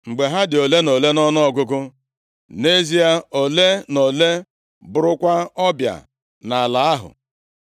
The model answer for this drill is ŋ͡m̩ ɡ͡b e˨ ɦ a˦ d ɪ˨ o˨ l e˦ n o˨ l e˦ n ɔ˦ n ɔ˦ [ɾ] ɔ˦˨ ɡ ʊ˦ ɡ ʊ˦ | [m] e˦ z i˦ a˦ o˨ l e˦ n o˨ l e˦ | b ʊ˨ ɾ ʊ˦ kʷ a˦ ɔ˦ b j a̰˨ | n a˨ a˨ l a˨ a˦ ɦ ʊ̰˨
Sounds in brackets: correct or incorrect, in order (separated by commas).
incorrect, incorrect